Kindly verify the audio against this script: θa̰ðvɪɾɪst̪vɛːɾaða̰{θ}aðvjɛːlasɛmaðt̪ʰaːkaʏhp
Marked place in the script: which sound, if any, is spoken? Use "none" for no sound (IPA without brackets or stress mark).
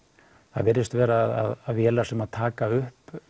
ð